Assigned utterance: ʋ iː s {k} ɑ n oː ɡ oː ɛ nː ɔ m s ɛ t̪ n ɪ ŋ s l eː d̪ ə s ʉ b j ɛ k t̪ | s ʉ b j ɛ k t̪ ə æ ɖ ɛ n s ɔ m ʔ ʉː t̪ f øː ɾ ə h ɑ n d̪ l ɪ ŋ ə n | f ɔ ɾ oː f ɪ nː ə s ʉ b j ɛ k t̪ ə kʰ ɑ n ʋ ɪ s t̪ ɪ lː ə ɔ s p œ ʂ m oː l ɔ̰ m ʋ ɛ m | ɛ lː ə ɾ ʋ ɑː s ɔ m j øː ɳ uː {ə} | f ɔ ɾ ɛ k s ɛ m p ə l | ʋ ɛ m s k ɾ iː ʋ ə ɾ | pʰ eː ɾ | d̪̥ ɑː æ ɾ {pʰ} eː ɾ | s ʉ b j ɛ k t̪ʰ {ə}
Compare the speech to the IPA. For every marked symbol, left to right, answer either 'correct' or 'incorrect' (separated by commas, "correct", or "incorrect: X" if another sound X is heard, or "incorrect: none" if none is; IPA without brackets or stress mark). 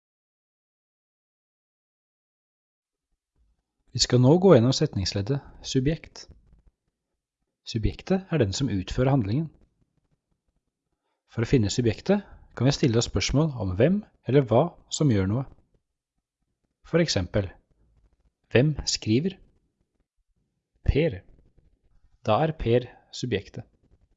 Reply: correct, correct, correct, correct